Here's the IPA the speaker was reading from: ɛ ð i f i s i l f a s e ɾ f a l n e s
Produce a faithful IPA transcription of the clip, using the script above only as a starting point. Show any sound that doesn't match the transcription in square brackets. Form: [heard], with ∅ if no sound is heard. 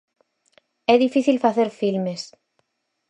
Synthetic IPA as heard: ɛ ð i f i [θ] i l f a [θ] e ɾ f [i] l [m] e s